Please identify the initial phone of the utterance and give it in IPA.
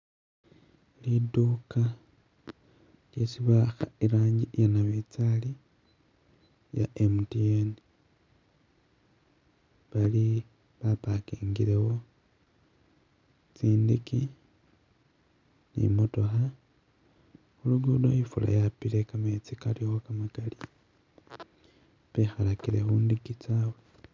l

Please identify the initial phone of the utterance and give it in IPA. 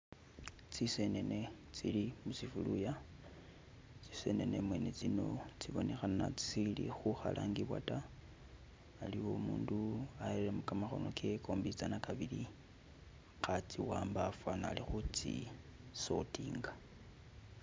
t͡s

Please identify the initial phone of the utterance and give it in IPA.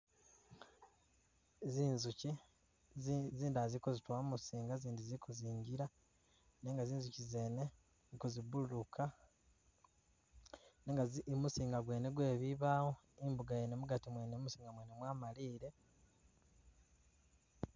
z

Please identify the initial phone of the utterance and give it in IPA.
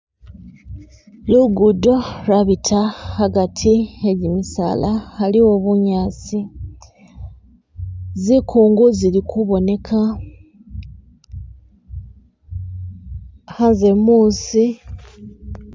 l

